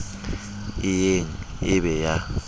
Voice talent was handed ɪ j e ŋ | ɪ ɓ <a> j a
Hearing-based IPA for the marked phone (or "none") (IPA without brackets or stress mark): ɛ